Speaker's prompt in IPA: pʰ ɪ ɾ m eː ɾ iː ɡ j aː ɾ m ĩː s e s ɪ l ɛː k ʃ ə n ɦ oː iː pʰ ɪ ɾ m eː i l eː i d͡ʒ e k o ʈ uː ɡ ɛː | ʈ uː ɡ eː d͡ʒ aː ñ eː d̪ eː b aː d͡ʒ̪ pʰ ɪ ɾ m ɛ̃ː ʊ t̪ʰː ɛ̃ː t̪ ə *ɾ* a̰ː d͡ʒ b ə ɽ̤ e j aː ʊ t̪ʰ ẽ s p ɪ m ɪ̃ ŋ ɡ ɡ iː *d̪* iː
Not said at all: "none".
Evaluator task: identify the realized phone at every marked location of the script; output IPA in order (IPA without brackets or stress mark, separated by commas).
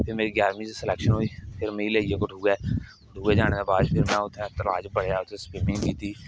l, t̪